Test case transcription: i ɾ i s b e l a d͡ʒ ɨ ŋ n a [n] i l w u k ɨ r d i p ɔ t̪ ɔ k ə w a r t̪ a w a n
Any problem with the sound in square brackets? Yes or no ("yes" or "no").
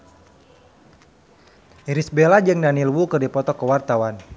no